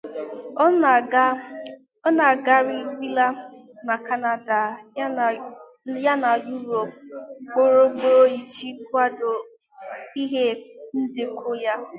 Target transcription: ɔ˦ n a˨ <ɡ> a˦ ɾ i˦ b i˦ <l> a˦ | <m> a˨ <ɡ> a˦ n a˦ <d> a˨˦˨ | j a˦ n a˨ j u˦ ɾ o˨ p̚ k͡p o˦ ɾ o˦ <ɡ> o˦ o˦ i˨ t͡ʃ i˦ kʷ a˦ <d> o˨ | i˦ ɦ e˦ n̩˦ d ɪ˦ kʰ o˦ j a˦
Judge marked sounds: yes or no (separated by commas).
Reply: yes, yes, no, no, yes, no, yes